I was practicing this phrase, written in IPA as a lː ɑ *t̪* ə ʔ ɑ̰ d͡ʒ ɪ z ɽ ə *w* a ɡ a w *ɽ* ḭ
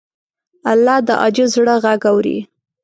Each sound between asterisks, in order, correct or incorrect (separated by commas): incorrect, incorrect, incorrect